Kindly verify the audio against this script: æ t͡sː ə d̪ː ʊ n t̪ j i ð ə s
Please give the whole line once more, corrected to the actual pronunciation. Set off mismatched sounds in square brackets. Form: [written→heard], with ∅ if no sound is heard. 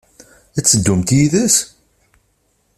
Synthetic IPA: æ t͡sː ə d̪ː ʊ [n→m] t̪ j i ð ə s